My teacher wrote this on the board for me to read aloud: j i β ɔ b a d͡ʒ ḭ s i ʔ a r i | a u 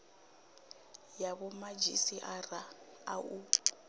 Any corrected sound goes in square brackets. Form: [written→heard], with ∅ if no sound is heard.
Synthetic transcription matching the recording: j [i→a] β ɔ [b→m] a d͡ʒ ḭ s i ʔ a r [i→a] | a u